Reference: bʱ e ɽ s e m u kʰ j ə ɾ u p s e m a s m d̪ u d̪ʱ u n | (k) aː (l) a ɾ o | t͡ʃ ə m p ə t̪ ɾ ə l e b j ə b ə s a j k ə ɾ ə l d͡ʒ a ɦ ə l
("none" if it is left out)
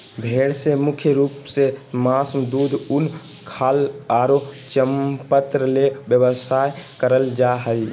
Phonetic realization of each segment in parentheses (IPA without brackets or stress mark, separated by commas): kʰ, l